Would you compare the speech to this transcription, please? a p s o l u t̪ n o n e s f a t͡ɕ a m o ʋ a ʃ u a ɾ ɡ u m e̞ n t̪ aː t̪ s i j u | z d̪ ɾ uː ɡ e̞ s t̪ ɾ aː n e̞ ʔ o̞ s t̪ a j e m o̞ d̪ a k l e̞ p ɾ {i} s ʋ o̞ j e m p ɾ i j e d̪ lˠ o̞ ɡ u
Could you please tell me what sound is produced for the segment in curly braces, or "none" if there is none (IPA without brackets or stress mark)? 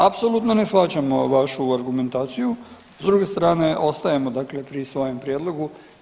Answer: i